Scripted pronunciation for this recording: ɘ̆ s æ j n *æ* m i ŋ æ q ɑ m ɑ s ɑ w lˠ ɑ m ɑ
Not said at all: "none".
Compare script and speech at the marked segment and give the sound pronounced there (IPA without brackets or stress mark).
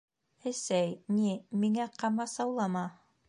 i